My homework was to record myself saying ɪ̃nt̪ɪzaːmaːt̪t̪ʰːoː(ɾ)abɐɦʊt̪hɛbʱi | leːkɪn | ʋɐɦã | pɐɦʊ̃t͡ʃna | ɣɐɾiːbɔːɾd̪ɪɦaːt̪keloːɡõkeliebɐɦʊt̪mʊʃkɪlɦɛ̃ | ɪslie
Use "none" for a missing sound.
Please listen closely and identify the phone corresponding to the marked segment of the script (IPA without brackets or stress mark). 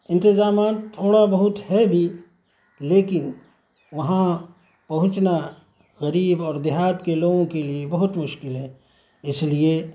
ɽ